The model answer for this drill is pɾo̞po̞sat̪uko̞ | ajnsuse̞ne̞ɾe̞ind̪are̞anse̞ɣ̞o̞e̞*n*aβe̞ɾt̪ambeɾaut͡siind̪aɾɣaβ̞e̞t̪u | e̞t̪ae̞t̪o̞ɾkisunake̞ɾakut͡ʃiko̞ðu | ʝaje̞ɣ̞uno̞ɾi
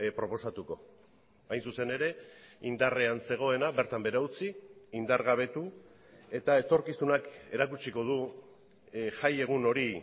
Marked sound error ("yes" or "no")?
no